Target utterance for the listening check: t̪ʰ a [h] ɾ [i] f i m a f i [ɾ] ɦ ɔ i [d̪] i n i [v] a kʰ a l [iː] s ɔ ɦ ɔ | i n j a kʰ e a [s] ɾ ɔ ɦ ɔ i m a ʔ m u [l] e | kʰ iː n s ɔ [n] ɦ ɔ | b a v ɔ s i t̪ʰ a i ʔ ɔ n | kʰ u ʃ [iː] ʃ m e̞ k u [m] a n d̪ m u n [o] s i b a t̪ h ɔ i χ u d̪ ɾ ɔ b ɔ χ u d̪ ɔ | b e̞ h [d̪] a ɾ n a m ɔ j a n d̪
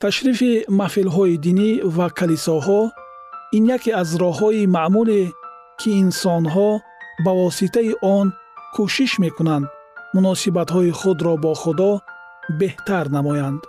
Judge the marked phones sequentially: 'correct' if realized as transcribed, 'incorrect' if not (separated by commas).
incorrect, correct, incorrect, correct, correct, incorrect, incorrect, correct, correct, incorrect, incorrect, incorrect, incorrect